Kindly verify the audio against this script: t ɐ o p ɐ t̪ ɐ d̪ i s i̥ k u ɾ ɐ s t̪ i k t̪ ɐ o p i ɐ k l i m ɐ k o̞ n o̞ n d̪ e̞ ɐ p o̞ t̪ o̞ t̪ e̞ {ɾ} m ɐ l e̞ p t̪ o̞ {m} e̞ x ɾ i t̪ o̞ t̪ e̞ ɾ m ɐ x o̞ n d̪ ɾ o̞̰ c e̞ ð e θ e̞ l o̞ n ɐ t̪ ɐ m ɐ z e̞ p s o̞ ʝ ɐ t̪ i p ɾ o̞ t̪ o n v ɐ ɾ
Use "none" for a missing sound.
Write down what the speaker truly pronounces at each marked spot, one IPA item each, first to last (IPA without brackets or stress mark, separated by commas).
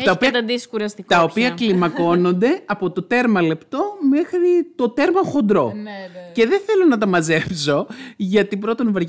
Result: ɾ, m